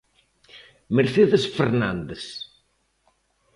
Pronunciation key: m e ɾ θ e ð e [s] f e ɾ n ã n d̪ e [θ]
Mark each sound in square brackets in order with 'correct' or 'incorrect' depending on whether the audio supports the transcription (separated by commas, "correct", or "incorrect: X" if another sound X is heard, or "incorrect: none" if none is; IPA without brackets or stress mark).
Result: correct, incorrect: s